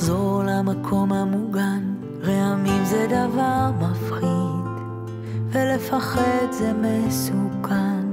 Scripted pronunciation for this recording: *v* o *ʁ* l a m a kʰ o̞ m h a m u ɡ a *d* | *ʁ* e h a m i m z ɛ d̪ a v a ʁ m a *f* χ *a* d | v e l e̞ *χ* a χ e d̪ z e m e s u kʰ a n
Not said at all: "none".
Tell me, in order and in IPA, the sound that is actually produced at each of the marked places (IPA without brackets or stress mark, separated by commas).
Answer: z, ʁ, n, ʁ, f, i, f